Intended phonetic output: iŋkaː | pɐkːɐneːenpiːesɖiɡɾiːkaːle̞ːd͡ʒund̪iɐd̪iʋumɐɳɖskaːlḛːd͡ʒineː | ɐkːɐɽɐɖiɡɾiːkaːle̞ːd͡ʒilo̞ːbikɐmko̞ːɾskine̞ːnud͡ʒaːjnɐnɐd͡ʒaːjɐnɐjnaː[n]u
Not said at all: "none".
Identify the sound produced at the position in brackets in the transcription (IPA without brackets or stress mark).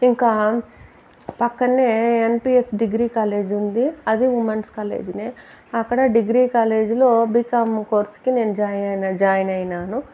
n